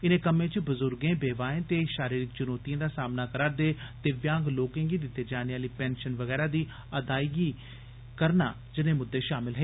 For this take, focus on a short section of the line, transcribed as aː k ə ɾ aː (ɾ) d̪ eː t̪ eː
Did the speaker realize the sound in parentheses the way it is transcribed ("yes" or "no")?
yes